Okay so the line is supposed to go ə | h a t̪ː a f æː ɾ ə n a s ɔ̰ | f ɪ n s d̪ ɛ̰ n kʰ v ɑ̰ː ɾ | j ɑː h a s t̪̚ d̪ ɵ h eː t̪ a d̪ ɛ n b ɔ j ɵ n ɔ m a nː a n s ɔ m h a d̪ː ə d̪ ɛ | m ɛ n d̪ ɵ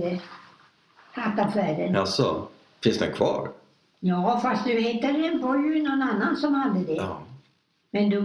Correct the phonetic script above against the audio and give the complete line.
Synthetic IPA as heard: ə | h a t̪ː a f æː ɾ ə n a s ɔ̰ | f ɪ n s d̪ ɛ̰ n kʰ v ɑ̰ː ɾ | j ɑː f a s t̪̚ d̪ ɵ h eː t̪ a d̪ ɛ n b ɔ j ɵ n ɔ n a nː a n s ɔ m h a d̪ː ə d̪ ɛ | m ɛ n d̪ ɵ